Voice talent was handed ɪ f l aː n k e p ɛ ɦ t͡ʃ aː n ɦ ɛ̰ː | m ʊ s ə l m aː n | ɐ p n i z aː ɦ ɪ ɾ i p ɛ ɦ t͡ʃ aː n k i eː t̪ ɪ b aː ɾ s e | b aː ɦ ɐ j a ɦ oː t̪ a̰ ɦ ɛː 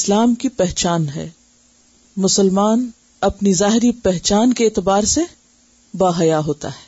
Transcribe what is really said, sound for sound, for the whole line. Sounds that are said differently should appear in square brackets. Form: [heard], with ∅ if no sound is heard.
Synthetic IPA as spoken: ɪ [s] l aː [m] k [i] p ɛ ɦ t͡ʃ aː n ɦ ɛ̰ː | m ʊ s ə l m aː n | ɐ p n i z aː ɦ ɪ ɾ i p ɛ ɦ t͡ʃ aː n k [e] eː t̪ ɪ b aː ɾ s e | b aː ɦ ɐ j a ɦ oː t̪ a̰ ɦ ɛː